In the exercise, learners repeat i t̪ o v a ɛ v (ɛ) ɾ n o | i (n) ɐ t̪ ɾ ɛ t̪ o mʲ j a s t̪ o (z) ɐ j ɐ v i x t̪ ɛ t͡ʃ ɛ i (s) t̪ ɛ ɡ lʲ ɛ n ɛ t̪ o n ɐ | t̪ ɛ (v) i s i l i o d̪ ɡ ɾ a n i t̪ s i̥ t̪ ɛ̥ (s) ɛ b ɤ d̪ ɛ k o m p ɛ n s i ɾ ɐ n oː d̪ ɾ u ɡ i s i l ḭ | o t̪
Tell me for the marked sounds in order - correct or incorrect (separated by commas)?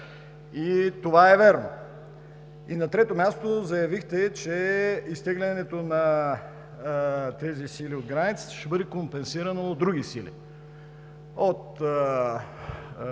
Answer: correct, correct, correct, correct, incorrect, incorrect